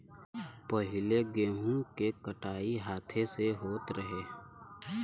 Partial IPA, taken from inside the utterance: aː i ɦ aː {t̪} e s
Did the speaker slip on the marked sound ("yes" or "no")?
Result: yes